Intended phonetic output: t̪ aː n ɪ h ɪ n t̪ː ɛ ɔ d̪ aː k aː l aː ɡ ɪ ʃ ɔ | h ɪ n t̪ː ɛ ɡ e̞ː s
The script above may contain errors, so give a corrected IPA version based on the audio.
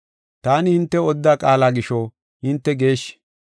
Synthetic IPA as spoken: t̪ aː n ɪ h ɪ n t̪ː ɛ ɔ d̪ː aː kʼ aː l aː ɡ ɪ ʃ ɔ | h ɪ n t̪ː ɛ ɡ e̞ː ʃ